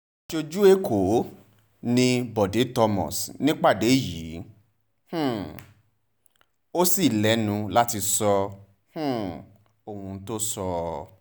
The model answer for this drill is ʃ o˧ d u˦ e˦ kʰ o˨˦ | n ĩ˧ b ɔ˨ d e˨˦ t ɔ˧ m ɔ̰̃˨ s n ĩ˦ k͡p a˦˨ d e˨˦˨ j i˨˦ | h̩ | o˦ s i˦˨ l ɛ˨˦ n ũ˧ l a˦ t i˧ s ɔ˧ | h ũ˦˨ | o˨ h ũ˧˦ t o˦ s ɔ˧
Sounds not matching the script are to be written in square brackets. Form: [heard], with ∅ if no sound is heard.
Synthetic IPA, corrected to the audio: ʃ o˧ [d͡ʒ] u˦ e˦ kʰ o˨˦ | n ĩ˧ b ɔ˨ d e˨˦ t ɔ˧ m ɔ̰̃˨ s n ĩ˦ k͡p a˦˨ d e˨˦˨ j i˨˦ | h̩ | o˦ s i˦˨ l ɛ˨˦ n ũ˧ l a˦ t i˧ s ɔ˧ | h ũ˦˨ | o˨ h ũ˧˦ t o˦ s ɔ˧